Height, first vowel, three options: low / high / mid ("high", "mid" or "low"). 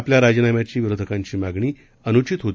low